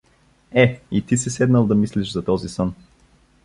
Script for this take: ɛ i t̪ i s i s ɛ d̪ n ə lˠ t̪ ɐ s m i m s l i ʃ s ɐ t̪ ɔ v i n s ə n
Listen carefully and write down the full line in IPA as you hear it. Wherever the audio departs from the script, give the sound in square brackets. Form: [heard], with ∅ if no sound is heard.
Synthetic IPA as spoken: ɛ i t̪ i s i s ɛ d̪ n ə lˠ [d̪] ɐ [∅] m i [∅] s l i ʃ [z] ɐ t̪ ɔ [z] i [∅] s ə n